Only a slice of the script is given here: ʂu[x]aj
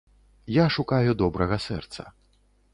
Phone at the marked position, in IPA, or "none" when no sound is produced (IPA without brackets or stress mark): k